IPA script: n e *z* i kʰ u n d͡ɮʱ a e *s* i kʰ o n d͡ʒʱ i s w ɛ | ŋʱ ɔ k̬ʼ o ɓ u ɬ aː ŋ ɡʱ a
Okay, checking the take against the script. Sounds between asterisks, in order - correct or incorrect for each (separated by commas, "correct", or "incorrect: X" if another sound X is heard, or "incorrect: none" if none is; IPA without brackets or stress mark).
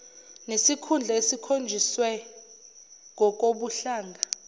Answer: incorrect: s, correct